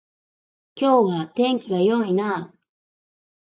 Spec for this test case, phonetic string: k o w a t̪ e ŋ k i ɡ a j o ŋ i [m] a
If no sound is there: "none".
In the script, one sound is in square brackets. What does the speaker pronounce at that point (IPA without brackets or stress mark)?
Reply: n